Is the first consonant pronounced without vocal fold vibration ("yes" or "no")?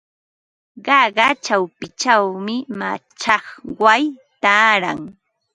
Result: no